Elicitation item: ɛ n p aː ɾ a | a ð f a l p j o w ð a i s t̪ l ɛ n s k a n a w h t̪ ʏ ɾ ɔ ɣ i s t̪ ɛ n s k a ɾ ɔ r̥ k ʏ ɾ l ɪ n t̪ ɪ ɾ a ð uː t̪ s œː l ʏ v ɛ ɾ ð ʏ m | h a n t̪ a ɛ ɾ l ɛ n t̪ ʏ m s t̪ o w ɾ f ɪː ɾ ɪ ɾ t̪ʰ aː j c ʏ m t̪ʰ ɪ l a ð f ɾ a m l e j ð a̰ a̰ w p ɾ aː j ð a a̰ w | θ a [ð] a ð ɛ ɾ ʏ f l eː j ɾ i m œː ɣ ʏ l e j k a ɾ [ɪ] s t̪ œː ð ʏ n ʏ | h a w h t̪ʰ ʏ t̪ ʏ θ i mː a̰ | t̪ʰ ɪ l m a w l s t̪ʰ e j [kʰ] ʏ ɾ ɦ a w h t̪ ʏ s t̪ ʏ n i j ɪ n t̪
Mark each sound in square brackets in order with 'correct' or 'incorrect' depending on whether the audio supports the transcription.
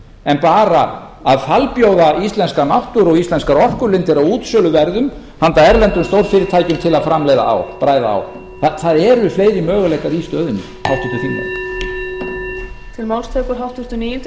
incorrect: θ, incorrect: i, incorrect: k

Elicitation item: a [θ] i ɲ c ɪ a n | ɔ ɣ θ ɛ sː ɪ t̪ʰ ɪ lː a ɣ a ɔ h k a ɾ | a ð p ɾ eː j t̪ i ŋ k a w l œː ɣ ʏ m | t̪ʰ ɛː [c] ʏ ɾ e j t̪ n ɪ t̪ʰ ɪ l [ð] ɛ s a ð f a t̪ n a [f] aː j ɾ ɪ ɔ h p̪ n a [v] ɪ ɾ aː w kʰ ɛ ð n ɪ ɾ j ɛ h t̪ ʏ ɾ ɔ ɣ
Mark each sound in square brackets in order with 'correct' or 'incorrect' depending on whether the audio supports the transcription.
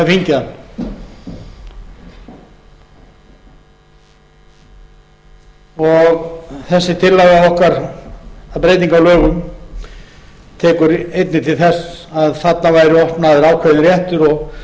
incorrect: f, incorrect: k, incorrect: θ, incorrect: v, incorrect: ð

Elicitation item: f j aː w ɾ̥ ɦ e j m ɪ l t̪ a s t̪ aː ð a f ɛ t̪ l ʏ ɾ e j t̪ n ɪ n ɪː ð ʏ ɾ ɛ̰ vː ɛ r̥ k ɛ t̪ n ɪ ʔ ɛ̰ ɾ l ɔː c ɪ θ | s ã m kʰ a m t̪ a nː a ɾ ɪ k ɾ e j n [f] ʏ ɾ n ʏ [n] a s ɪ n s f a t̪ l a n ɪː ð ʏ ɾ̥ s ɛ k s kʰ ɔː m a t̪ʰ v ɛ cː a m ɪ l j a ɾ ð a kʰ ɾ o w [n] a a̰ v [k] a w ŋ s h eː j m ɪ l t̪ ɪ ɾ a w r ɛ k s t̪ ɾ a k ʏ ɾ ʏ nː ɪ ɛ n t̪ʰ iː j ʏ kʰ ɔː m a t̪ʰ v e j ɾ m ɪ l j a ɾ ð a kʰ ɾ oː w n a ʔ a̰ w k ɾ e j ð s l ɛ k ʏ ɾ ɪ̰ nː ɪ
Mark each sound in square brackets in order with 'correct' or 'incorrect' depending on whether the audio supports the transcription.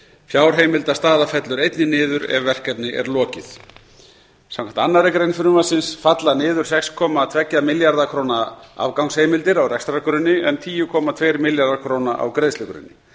correct, incorrect: m, correct, correct

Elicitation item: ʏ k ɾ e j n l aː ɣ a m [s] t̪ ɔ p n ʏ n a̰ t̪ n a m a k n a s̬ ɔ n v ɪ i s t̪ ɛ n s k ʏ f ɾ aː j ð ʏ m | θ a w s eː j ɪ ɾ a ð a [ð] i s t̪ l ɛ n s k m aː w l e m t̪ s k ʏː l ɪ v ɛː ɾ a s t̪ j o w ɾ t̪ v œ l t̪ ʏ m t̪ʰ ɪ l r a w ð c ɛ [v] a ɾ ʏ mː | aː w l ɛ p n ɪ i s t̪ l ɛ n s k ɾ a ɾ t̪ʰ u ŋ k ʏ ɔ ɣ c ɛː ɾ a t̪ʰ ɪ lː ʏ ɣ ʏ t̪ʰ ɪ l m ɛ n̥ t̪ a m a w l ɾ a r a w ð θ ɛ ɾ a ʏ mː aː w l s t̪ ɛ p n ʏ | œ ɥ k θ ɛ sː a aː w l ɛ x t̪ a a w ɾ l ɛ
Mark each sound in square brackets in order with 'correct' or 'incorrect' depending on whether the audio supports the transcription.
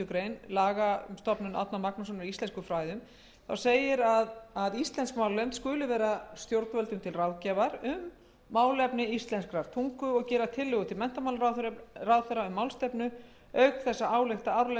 correct, correct, correct

